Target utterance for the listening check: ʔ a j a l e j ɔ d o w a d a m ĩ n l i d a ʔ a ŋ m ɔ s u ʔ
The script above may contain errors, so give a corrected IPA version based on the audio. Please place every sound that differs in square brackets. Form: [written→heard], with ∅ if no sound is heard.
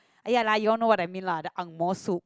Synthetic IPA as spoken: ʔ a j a l [e→a] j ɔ [d→n] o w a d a m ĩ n l [i→a] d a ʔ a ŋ m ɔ s u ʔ